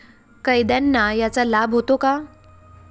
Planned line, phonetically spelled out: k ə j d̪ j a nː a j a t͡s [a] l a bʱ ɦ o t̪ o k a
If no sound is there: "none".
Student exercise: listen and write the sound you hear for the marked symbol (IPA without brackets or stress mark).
a